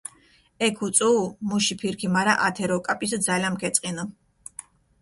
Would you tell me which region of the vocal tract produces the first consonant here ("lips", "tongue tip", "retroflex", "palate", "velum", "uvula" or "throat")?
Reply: velum